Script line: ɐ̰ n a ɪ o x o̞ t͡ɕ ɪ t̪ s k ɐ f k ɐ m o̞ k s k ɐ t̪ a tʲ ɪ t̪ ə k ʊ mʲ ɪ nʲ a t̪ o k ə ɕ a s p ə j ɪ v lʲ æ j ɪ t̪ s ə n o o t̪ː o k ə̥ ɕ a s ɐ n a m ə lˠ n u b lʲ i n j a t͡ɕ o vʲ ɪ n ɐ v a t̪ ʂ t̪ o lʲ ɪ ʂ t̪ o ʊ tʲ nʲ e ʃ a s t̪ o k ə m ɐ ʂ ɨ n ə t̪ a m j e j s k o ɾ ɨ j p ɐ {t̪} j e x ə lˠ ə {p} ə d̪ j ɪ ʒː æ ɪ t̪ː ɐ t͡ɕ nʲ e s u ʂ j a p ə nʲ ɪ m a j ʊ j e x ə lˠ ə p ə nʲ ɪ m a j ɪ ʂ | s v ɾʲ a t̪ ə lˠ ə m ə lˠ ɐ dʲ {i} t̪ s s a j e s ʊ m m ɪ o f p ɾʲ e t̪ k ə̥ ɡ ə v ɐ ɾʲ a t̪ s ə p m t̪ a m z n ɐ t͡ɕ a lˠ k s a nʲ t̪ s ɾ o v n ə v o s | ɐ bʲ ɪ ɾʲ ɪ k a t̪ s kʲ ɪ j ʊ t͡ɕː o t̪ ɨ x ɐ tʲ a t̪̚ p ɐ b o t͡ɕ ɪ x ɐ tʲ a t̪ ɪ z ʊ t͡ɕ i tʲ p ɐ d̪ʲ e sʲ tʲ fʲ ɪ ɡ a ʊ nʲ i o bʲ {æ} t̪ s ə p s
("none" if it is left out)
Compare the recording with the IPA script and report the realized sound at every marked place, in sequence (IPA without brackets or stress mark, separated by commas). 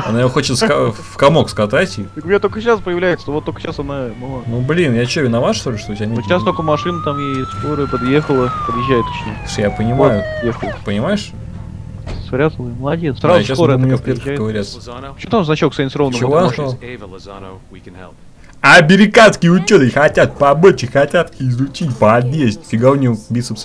d̪, p, e, i